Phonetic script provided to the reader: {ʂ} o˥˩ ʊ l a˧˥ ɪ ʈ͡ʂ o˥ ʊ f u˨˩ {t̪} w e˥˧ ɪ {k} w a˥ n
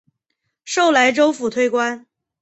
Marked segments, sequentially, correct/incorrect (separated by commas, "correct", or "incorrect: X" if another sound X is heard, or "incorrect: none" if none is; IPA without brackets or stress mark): correct, incorrect: t̪ʰ, correct